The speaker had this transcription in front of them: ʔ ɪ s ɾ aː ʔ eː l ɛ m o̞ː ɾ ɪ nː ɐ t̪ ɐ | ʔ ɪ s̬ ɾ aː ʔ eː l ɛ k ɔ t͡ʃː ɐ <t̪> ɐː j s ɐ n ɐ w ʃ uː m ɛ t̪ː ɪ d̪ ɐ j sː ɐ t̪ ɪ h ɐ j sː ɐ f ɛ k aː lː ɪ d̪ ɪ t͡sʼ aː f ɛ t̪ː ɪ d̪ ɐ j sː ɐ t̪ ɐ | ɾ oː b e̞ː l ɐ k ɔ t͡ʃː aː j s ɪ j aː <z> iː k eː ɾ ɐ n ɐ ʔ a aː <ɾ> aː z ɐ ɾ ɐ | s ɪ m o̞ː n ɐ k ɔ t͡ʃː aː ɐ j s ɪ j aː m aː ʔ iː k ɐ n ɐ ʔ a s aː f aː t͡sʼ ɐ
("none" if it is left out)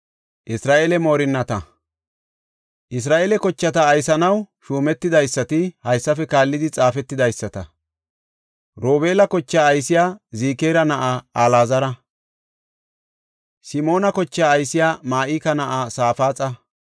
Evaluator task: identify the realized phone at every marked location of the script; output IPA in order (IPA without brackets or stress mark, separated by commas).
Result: t̪, z, l